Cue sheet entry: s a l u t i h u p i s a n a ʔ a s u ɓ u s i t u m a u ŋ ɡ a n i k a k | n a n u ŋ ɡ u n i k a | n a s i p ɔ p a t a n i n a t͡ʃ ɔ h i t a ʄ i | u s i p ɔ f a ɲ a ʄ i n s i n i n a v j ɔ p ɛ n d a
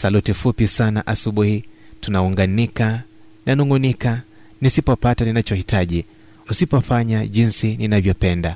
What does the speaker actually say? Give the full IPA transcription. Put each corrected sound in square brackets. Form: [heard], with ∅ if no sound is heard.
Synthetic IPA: s a l u t i [f] u p i s a n a ʔ a s u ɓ u [h] i t u [n] a u ŋ ɡ a n i k a [∅] | n a n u ŋ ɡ u n i k a | n [i] s i p ɔ p a t a n i n a t͡ʃ ɔ h i t a ʄ i | u s i p ɔ f a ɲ a ʄ i n s i n i n a v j ɔ p ɛ n d a